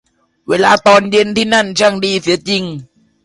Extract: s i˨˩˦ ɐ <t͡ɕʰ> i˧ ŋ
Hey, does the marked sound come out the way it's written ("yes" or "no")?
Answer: no